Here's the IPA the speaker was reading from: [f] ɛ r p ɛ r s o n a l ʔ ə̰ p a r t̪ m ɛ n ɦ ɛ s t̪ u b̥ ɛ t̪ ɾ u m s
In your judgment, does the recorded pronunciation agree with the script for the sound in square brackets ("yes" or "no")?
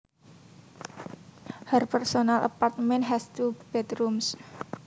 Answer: no